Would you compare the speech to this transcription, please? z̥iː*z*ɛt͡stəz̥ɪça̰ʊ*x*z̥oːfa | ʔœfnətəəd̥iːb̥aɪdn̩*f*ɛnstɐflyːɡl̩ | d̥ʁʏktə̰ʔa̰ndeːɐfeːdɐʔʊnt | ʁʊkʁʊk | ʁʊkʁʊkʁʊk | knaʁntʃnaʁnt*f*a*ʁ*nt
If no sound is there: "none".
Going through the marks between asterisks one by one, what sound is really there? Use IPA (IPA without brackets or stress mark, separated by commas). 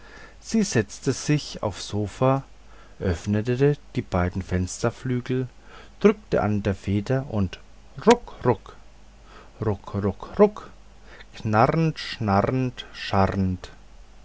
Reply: z, f, f, ʃ, ʁ